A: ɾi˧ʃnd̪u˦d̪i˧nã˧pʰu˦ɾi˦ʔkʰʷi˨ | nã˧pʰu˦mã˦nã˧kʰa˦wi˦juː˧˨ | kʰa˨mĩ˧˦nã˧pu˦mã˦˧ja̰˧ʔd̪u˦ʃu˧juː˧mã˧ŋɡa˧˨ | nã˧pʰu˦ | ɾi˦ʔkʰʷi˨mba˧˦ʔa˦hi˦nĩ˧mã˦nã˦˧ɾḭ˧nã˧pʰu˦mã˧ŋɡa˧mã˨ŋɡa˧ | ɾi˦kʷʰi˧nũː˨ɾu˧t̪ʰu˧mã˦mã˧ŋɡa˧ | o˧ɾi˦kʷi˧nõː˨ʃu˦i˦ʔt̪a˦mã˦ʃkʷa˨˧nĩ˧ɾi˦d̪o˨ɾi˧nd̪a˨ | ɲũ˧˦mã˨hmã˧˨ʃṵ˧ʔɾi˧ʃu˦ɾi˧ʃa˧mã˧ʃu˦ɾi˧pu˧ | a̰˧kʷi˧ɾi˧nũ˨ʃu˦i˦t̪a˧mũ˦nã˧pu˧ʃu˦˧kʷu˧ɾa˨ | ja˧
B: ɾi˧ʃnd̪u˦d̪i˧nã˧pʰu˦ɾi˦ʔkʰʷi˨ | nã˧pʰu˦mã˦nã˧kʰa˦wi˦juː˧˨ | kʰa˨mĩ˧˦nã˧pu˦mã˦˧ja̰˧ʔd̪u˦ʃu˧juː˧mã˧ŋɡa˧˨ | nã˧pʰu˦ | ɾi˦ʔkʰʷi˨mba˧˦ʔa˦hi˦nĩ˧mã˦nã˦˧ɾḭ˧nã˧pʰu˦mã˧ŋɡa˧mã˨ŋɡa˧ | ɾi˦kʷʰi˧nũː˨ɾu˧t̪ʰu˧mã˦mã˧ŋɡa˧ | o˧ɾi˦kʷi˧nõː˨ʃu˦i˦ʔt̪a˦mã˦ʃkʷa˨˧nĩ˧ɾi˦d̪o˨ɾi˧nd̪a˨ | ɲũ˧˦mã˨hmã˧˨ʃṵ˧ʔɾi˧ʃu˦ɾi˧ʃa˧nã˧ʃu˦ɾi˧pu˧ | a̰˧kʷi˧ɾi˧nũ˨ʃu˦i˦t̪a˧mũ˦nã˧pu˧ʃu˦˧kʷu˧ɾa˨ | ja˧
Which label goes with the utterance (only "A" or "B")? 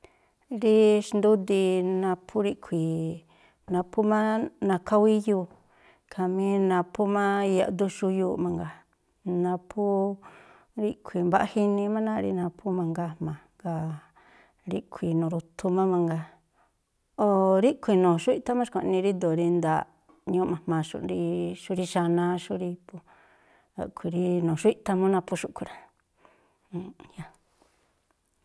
B